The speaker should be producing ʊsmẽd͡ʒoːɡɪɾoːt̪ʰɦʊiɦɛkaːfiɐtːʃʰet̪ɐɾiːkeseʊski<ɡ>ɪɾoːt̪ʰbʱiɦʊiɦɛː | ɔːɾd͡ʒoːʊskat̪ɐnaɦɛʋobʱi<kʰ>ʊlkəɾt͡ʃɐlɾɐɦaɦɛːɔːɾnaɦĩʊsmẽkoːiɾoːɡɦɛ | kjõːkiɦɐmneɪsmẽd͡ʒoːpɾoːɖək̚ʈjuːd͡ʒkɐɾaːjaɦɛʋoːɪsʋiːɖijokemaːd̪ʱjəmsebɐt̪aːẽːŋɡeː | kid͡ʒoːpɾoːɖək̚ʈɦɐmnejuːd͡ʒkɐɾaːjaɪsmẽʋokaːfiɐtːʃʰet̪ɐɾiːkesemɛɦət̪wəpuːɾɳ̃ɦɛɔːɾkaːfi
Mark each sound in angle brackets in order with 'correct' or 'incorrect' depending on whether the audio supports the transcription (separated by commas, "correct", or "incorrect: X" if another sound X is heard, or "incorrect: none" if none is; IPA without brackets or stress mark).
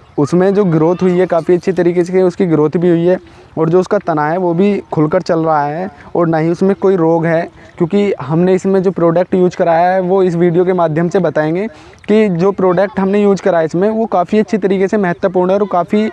correct, correct